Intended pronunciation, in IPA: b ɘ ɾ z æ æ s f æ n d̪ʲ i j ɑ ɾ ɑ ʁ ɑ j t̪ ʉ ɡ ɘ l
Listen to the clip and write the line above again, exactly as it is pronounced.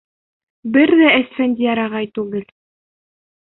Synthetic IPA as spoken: b ɘ ɾ ð æ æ s f æ n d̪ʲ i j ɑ ɾ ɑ ʁ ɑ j t̪ ʉ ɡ ɘ l